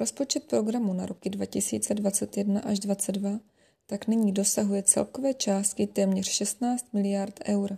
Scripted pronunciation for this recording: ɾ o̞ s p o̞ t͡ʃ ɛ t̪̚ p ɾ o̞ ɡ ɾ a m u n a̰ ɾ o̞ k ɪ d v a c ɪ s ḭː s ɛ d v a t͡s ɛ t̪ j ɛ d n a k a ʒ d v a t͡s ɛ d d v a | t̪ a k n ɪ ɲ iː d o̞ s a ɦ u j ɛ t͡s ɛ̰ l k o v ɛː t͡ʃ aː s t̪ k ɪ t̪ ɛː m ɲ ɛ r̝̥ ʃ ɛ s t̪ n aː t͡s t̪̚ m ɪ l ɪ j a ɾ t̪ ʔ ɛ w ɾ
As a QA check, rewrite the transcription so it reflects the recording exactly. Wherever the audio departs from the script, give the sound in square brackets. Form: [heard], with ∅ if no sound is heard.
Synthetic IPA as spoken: ɾ o̞ s p o̞ t͡ʃ ɛ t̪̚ p ɾ o̞ ɡ ɾ a m u n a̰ ɾ o̞ k ɪ d v a c ɪ s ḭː [t͡s] ɛ d v a t͡s ɛ t̪ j ɛ d n a [ʔ] a ʒ d v a t͡s ɛ d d v a | t̪ a k n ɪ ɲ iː d o̞ s a ɦ u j ɛ t͡s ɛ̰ l k o v ɛː t͡ʃ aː s t̪ k ɪ t̪ ɛː m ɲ ɛ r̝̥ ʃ ɛ s t̪ n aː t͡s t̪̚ m ɪ l ɪ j a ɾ t̪ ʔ ɛ w ɾ